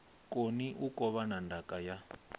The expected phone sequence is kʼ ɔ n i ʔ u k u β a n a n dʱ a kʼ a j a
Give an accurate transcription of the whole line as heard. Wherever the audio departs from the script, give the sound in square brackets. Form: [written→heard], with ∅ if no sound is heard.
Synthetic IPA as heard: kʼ [ɔ→o] n i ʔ u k [u→ɔ] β a n a n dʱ a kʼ a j a